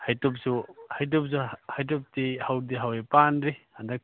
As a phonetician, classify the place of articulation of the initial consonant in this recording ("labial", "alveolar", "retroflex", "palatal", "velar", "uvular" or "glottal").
glottal